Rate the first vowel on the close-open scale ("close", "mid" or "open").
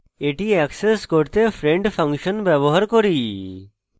mid